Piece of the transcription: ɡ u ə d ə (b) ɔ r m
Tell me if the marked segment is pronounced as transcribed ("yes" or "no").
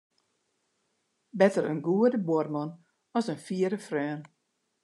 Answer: yes